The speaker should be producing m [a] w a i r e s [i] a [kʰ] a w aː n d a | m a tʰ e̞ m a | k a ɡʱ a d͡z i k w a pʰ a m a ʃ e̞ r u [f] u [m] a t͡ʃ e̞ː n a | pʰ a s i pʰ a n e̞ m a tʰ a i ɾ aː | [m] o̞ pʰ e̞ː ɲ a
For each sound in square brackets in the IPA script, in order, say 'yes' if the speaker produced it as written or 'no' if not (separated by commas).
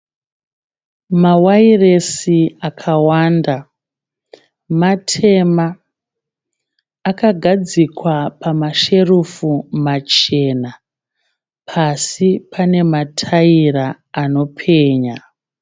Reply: yes, yes, yes, yes, yes, no